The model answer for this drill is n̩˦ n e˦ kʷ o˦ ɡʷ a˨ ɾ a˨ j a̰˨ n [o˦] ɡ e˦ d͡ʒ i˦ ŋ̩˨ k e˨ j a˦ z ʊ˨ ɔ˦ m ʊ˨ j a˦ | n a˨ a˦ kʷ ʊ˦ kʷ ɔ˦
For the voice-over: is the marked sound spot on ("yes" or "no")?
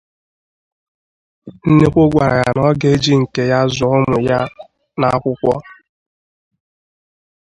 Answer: no